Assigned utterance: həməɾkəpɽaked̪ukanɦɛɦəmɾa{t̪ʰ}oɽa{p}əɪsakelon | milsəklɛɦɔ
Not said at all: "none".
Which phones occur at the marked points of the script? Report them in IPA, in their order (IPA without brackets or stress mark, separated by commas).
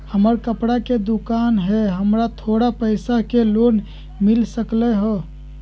t̪ʰ, p